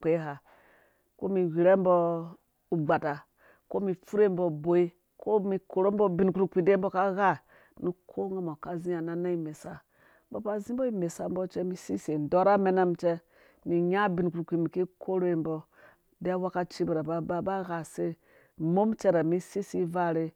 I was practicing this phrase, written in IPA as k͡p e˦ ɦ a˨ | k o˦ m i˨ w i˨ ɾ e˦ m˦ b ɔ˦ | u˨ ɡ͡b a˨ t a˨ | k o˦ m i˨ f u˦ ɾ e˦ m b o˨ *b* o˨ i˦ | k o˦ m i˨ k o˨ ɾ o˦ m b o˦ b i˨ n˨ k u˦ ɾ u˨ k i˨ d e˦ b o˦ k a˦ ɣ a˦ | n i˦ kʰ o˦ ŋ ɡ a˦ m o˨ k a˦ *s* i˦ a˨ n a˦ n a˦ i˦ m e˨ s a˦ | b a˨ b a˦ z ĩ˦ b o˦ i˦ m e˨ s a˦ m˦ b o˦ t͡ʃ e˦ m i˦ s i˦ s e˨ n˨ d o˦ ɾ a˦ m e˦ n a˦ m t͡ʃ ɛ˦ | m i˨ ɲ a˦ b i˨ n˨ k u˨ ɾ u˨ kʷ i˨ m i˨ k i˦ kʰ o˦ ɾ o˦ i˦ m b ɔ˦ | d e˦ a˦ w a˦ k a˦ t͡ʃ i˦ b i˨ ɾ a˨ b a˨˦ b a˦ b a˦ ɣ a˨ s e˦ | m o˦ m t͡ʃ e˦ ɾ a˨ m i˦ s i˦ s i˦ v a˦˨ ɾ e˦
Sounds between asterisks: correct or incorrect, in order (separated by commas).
correct, incorrect